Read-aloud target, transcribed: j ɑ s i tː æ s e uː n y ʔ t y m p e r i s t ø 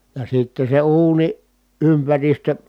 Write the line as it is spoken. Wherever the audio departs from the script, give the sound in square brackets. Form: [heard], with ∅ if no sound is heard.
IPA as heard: j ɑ s i tː [e] s e uː n [i] ʔ [ʔ] y m p [æ] r i s t ø